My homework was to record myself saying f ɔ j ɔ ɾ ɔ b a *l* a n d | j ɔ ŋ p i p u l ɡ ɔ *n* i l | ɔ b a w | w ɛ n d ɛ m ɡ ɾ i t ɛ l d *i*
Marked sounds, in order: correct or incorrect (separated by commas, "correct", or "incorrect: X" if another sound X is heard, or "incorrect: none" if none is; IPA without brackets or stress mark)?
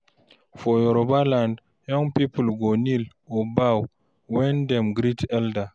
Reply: correct, correct, incorrect: a